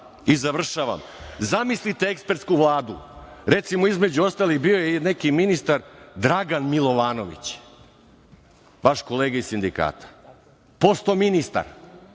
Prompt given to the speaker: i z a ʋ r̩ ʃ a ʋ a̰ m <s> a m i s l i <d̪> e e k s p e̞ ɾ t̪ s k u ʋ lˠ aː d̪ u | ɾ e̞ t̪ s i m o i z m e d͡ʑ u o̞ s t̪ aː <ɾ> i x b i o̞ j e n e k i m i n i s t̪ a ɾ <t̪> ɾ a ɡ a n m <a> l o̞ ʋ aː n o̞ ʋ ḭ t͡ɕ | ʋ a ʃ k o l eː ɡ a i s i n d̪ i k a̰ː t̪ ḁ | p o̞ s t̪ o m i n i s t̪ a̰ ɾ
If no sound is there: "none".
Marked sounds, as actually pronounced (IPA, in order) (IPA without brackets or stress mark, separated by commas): z, t̪, l, d̪, i